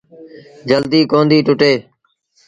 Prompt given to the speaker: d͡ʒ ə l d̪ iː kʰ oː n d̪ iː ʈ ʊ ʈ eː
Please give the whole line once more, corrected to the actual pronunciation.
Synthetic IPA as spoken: d͡ʒ ə l d̪ iː k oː n d̪ iː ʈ ʊ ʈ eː